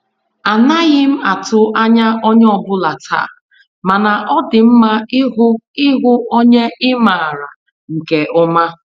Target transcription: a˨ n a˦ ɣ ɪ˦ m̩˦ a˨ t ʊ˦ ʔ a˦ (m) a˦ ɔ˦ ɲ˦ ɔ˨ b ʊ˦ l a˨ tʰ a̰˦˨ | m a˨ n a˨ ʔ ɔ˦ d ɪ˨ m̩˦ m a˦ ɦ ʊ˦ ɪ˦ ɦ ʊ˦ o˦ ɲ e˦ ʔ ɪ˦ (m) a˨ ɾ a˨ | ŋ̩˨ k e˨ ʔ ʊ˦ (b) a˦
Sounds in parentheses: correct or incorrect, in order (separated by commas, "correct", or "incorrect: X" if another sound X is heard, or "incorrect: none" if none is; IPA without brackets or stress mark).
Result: incorrect: ɲ, correct, incorrect: m